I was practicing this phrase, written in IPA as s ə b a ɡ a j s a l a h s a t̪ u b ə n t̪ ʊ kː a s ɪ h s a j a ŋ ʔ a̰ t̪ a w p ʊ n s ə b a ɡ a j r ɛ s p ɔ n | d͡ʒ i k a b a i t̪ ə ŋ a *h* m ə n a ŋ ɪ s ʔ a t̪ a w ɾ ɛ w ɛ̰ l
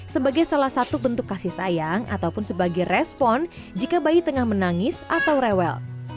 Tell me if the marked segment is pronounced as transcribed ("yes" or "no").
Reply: yes